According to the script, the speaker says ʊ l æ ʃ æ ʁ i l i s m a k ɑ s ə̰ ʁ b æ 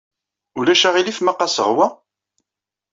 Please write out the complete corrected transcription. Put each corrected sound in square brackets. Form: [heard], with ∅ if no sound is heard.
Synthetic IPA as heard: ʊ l æ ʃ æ ʁ i l i [f] m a [q] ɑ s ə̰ ʁ [w] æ